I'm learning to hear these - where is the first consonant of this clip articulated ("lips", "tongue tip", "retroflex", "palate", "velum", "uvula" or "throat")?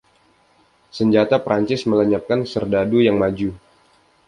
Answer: tongue tip